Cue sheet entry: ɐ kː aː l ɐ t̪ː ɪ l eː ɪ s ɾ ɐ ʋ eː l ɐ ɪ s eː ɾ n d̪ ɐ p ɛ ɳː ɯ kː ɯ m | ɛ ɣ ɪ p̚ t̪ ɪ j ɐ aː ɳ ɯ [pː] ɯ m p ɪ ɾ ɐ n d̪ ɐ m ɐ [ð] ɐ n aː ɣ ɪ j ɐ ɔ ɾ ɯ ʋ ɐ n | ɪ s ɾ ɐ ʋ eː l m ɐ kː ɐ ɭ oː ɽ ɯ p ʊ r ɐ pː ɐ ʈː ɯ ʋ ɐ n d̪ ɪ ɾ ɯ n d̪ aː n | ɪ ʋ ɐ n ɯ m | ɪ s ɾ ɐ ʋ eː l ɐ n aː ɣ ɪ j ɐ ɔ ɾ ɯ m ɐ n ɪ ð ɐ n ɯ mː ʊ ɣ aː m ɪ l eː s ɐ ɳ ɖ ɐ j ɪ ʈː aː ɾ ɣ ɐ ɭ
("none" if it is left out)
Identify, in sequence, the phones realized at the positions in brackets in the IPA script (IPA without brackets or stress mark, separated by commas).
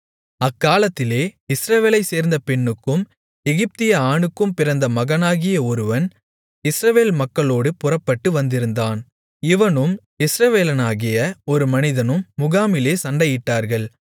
kː, ɣ